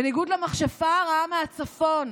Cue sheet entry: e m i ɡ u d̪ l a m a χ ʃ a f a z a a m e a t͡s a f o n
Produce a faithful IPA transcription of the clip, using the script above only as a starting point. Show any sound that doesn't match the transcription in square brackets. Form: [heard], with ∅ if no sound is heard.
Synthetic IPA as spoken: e [n] i ɡ u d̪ l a m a χ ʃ a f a [ʁ] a a m e a t͡s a f o n